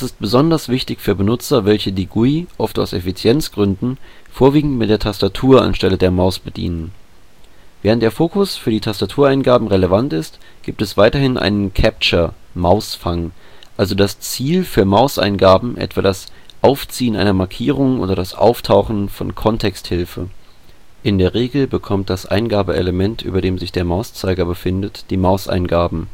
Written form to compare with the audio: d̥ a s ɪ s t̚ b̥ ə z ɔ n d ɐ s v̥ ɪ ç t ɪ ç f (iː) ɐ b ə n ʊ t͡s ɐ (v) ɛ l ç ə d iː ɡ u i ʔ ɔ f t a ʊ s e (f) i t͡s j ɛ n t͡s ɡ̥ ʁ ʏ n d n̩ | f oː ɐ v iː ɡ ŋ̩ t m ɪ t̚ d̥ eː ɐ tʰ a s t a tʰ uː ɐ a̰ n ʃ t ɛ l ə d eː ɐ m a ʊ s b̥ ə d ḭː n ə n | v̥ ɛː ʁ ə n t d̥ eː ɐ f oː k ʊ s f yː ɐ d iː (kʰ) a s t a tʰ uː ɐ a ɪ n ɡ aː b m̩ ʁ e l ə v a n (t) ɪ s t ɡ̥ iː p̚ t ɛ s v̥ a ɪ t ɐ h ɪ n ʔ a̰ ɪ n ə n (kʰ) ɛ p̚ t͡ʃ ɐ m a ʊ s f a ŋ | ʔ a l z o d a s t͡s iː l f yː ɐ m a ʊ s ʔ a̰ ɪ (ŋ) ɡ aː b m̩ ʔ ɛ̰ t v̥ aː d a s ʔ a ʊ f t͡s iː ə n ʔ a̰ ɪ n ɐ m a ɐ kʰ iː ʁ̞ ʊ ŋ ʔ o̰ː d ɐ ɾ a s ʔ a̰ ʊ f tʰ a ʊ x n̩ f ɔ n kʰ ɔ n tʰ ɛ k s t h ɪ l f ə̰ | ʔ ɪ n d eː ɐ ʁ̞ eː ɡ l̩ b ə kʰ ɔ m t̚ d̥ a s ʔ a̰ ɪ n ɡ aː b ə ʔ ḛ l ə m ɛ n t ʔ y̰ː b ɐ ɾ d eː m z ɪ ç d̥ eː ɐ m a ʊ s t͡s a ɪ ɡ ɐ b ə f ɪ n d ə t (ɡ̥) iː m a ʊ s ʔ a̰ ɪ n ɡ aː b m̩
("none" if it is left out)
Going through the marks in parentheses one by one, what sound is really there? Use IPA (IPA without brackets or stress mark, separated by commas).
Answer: yː, v, f, tʰ, t, kʰ, n, d̥